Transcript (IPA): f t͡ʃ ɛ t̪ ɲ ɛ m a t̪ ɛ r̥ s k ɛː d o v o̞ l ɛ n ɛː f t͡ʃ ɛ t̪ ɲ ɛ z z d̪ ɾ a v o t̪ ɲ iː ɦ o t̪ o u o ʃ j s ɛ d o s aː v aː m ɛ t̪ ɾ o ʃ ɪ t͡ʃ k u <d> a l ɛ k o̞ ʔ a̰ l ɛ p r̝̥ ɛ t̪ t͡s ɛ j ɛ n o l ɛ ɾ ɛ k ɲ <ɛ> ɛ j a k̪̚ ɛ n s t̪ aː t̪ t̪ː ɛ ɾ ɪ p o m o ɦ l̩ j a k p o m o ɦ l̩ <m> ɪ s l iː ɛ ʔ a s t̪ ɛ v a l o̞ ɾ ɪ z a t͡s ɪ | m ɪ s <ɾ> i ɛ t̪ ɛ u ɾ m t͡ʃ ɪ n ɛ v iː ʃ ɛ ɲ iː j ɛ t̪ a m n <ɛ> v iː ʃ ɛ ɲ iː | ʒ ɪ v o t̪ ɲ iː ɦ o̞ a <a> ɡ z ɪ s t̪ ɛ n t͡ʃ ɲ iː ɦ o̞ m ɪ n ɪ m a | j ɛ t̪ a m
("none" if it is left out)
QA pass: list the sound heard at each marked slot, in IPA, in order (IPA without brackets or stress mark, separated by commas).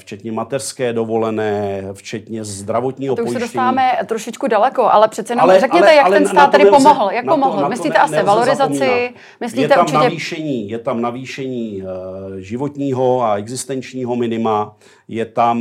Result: d, ɛ, m, l, a, ɛ